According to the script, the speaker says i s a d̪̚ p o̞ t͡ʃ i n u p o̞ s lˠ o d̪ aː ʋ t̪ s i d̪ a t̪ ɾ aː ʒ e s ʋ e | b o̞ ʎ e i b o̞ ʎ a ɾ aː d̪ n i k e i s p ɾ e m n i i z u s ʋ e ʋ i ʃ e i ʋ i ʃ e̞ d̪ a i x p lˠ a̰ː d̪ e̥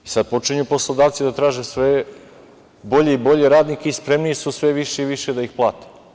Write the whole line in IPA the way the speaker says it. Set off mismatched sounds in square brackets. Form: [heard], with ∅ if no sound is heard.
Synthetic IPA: i s a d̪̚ p o̞ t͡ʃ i [ɲ] u p o̞ s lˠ o d̪ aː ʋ t̪ s i d̪ a t̪ ɾ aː ʒ e s ʋ e | b o̞ ʎ e i b o̞ ʎ [e] ɾ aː d̪ n i k e i s p ɾ e m n i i [s] u s ʋ e ʋ i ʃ e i ʋ i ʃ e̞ d̪ a i x p lˠ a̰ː [t̪] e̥